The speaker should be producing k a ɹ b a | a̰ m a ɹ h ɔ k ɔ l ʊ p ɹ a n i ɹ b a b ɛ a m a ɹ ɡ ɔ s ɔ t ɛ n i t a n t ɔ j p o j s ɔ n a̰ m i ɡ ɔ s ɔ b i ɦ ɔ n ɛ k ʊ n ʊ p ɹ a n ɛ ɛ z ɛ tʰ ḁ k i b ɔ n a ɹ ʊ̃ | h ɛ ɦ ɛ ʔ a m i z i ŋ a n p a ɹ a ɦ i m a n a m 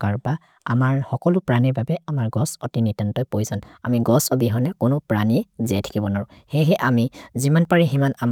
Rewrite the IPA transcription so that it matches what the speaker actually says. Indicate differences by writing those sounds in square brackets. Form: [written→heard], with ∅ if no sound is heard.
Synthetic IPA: k a ɹ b a | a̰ m a ɹ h ɔ k ɔ l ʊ p ɹ a n i ɹ b a b ɛ a m a ɹ ɡ ɔ s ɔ t [ɛ→i] n i t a n t ɔ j p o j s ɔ n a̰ m i ɡ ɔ s ɔ b i ɦ ɔ n ɛ k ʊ n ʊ p ɹ a n [ɛ→i] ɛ z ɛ tʰ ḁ k i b ɔ n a ɹ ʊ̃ | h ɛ ɦ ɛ ʔ a m i z i [ŋ→m] a n p a ɹ [a→i] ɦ i m a n a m